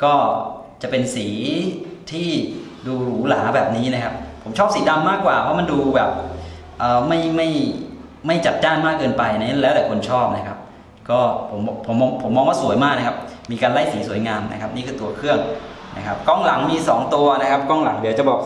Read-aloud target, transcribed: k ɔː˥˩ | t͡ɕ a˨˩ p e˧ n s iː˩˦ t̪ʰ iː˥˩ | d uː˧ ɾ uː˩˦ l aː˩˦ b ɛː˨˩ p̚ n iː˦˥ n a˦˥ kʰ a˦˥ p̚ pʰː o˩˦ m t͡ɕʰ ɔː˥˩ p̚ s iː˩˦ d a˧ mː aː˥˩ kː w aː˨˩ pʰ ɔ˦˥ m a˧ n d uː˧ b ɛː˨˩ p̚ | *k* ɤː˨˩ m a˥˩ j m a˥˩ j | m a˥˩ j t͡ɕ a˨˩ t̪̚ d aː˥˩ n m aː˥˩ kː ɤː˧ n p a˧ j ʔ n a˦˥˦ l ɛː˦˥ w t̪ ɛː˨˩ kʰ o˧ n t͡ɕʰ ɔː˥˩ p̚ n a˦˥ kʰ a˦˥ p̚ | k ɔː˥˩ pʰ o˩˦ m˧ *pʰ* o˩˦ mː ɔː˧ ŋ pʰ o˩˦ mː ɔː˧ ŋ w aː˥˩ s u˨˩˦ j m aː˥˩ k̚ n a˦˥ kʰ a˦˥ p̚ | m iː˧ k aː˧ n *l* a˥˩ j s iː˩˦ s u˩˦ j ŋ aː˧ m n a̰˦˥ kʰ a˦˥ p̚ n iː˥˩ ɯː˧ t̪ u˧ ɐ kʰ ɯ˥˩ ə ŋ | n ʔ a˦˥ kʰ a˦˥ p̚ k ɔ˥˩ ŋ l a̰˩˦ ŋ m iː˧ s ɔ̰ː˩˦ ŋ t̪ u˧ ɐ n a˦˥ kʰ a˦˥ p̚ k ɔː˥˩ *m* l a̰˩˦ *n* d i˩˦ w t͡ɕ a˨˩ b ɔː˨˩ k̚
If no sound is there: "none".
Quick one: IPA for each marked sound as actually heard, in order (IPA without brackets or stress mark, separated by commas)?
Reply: ʔ, pʰ, l, ŋ, ŋ